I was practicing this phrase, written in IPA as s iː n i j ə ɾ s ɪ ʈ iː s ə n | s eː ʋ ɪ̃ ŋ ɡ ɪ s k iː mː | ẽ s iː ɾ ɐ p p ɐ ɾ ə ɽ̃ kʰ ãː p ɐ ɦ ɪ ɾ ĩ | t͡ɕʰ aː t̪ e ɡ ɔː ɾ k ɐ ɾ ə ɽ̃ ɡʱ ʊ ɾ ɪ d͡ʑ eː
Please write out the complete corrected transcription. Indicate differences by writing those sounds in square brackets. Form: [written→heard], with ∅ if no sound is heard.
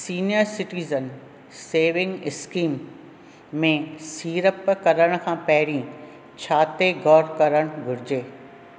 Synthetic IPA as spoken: s iː n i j ə ɾ s ɪ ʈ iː [s→z] ə n | s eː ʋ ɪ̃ ŋ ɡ ɪ s k iː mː | ẽ s iː ɾ [ɐ→ə] p [p→k] ɐ ɾ ə ɽ̃ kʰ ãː p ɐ ɦ ɪ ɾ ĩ | t͡ɕʰ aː t̪ e ɡ ɔː ɾ k ɐ ɾ ə ɽ̃ ɡʱ ʊ ɾ ɪ d͡ʑ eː